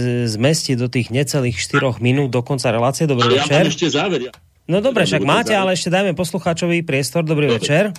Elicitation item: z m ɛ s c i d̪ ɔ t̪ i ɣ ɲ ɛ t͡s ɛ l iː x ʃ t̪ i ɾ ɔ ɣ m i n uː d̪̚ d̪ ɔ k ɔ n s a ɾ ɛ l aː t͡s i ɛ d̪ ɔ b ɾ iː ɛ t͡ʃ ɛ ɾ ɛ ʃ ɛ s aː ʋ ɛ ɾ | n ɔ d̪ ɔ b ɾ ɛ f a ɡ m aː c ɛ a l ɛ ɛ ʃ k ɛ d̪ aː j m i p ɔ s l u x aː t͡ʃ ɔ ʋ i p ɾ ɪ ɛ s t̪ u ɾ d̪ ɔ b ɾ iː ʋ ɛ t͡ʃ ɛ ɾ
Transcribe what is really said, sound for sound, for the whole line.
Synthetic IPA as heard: z m ɛ s c i d̪ ɔ t̪ iː ɣ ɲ ɛ t͡s ɛ l iː x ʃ t̪ i ɾ ɔ ɣ m i n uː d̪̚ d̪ ɔ k ɔ n t͡s a ɾ ɛ l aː t͡s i ɛ d̪ ɔ b ɾ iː ɛ t͡ʃ ɛ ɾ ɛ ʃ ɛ z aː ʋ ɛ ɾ | n ɔ d̪ ɔ b ɾ ɛ ʃ a ɡ m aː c ɛ a l ɛ ɛ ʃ c ɛ d̪ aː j m ɛ p ɔ s l u x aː t͡ʃ ɔ ʋ i p ɾ ɪ ɛ s t̪ ɔ ɾ d̪ ɔ b ɾ iː ʋ ɛ t͡ʃ ɛ ɾ